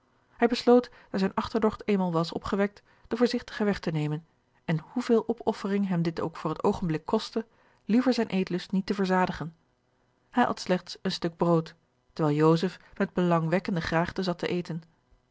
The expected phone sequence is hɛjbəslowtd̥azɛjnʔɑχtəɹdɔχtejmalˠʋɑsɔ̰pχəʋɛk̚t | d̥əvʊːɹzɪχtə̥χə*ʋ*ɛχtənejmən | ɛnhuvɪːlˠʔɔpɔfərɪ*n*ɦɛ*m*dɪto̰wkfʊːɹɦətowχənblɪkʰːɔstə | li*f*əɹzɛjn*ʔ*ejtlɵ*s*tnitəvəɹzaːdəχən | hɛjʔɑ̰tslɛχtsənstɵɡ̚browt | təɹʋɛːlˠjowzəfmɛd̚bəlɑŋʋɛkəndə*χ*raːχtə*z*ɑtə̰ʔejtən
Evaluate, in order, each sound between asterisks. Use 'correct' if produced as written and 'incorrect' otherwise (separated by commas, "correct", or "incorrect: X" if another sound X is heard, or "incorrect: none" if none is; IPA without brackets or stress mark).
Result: correct, incorrect: ŋ, correct, incorrect: v, correct, correct, correct, correct